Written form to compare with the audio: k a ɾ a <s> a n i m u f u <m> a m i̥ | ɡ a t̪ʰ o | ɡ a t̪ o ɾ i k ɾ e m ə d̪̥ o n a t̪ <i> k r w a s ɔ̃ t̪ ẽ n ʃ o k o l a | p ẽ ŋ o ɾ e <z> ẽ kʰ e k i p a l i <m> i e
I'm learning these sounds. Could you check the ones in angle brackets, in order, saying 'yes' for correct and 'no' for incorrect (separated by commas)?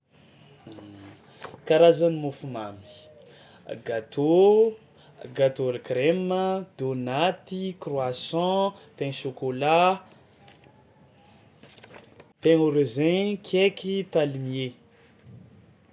no, yes, yes, yes, yes